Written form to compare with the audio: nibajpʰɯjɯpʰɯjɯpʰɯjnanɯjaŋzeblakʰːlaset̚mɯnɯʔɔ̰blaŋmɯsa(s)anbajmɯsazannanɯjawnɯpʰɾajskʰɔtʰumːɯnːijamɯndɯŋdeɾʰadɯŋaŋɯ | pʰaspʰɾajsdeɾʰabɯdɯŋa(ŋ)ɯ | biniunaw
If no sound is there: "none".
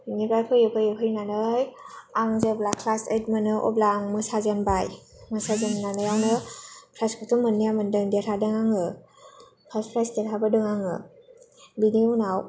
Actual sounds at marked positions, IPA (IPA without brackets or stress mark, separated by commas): z, ŋ